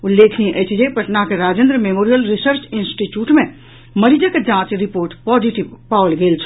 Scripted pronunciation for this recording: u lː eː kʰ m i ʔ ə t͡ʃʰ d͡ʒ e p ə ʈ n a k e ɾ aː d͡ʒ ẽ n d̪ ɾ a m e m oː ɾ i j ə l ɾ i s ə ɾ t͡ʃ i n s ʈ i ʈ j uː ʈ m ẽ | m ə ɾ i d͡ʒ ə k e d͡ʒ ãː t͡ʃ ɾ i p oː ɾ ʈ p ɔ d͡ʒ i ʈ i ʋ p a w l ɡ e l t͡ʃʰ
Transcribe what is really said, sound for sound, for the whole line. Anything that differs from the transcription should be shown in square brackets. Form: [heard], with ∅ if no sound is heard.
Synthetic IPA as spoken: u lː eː kʰ [n] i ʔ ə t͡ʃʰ d͡ʒ e p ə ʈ n a k e ɾ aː d͡ʒ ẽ n d̪ ɾ [ə] m e m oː ɾ i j ə l ɾ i s ə ɾ t͡ʃ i n s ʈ i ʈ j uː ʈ m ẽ | m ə ɾ i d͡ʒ ə k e d͡ʒ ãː t͡ʃ ɾ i p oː ɾ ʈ p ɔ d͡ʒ i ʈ i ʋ p a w l ɡ e l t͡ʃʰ